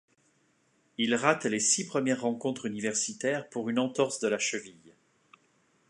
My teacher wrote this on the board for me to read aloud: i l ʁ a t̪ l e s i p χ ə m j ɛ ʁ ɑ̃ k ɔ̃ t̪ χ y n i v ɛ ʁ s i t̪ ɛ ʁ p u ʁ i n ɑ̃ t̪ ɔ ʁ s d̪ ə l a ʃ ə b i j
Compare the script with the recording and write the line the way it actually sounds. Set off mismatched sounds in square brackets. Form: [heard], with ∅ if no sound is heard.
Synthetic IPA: i l ʁ a t̪ l e s i p χ ə m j ɛ [ʁː] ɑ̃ k ɔ̃ t̪ χ y n i v ɛ ʁ s i t̪ ɛ ʁ p u ʁ [y] n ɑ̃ t̪ ɔ ʁ s d̪ ə l a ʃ ə [v] i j